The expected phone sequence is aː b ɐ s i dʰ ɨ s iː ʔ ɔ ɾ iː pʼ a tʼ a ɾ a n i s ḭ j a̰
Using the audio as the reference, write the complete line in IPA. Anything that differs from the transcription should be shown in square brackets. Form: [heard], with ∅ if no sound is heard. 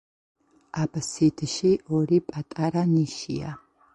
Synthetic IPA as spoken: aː b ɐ s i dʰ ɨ [ʃ] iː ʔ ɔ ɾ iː pʼ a tʼ a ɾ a n i [ʃ] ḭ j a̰